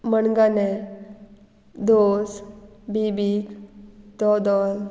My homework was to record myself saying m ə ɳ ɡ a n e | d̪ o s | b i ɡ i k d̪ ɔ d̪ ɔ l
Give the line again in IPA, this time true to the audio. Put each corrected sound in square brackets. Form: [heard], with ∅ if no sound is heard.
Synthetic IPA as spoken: m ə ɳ ɡ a n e | d̪ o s | b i [b] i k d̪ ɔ d̪ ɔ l